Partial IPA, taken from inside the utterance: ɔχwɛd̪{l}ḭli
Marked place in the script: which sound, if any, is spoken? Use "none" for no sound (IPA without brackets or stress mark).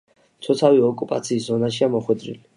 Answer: ɾ